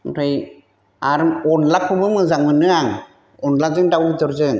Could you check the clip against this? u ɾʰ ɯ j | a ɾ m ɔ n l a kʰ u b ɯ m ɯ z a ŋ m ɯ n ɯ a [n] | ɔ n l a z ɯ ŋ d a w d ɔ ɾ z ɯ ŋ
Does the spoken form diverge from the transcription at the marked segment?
yes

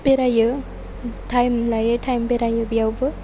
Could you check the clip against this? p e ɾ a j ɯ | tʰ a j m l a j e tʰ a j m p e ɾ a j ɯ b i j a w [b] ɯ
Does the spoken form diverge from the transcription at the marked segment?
no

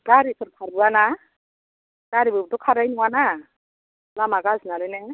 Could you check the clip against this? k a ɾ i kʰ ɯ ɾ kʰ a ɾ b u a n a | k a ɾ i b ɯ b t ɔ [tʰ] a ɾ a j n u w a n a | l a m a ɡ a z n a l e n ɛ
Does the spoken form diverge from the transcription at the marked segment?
yes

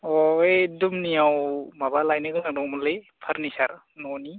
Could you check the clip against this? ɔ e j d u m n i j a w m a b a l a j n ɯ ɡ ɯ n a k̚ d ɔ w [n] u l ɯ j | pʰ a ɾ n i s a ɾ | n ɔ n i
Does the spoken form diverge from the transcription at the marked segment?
yes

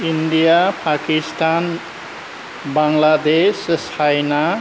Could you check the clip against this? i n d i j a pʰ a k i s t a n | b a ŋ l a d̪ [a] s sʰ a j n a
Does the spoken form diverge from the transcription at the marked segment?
yes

